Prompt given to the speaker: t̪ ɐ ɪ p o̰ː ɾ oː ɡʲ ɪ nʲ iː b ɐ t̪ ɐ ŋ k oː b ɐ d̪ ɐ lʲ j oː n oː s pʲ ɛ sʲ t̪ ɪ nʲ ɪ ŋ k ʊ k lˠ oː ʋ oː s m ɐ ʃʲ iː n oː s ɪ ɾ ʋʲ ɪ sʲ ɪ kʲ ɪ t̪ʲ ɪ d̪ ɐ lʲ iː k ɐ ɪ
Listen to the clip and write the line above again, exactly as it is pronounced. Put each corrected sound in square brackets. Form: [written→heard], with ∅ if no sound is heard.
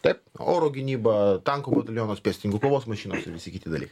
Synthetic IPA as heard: t̪ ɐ ɪ p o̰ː ɾ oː ɡʲ ɪ nʲ iː b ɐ t̪ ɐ ŋ k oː b ɐ [d̪→t̪] ɐ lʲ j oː n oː s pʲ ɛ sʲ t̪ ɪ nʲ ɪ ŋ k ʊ k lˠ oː ʋ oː s m ɐ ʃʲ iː n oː s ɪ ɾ ʋʲ ɪ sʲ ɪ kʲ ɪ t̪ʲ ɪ d̪ ɐ lʲ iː k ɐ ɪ

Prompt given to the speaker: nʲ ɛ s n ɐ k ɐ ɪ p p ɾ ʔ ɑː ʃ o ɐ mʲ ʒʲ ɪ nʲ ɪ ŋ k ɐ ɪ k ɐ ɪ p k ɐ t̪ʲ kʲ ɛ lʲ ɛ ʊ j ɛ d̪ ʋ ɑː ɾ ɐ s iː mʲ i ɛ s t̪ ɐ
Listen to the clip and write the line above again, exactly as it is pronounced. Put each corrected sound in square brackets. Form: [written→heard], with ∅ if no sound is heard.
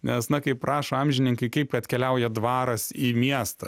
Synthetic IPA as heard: nʲ ɛ s n ɐ k ɐ ɪ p p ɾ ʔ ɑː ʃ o ɐ mʲ ʒʲ ɪ nʲ ɪ ŋ k ɐ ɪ k ɐ ɪ p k ɐ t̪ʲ kʲ ɛ lʲ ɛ ʊ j ɛ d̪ ʋ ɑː ɾ ɐ s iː mʲ i ɛ s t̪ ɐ

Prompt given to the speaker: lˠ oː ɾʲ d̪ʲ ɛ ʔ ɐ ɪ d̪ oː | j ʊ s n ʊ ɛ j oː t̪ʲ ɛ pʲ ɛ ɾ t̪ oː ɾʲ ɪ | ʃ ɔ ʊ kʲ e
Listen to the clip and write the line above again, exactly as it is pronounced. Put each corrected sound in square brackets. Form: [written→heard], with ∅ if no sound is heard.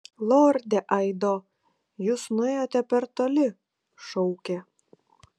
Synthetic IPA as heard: lˠ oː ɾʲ d̪ʲ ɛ ʔ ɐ ɪ d̪ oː | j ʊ s n ʊ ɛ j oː t̪ʲ ɛ pʲ ɛ ɾ t̪ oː [ɾʲ→lʲ] ɪ | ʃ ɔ ʊ kʲ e

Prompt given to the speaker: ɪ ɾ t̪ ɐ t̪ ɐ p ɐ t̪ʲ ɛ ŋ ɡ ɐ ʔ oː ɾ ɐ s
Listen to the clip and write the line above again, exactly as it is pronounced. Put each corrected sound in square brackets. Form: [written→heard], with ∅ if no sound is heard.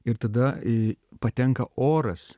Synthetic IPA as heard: ɪ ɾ t̪ ɐ [t̪→d̪] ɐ p ɐ t̪ʲ ɛ ŋ [ɡ→k] ɐ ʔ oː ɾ ɐ s

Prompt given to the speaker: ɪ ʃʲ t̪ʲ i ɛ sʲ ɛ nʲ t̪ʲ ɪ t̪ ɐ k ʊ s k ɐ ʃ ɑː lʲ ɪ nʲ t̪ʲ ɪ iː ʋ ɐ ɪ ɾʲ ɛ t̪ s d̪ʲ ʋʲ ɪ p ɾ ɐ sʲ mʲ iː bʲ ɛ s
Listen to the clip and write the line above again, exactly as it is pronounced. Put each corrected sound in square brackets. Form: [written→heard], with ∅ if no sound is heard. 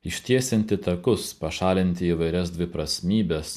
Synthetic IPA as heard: ɪ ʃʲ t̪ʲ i ɛ sʲ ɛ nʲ t̪ʲ ɪ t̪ ɐ k ʊ s [k→p] ɐ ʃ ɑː lʲ ɪ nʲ t̪ʲ ɪ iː ʋ ɐ ɪ ɾʲ ɛ [t̪→∅] s d̪ʲ ʋʲ ɪ p ɾ ɐ sʲ mʲ iː bʲ ɛ s

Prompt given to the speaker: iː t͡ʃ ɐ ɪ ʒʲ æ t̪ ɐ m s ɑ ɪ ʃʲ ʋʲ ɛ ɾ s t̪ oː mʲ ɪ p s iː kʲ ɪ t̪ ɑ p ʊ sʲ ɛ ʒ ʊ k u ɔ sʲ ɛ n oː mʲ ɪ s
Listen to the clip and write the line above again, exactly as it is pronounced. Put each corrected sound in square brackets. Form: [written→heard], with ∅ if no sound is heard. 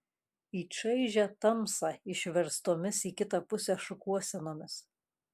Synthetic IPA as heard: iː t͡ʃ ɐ ɪ ʒʲ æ t̪ ɐ m s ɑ ɪ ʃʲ ʋʲ ɛ ɾ s t̪ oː mʲ ɪ [p→∅] s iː kʲ ɪ t̪ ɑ p ʊ sʲ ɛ [ʒ→ʃ] ʊ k u ɔ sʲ ɛ n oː mʲ ɪ s

